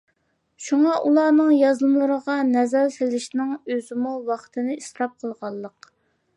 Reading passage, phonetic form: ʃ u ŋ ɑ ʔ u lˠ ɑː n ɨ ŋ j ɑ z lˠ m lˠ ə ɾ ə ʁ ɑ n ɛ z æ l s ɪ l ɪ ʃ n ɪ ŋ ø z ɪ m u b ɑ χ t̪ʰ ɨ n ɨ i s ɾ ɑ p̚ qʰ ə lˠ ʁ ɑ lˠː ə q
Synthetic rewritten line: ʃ u ŋ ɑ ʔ u lˠ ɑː n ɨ ŋ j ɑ z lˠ m lˠ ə ɾ ə ʁ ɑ n ɛ z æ l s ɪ l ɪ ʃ n ɪ ŋ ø z ɪ m u w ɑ χ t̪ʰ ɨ n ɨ i s ɾ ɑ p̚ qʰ ə lˠ ʁ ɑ lˠː ə q